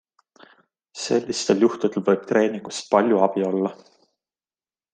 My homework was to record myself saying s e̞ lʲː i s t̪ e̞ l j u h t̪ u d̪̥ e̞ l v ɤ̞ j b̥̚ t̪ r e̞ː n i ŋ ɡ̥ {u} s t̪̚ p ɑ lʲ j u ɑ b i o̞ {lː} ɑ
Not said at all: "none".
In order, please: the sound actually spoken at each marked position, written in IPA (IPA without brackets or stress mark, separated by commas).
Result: u, lː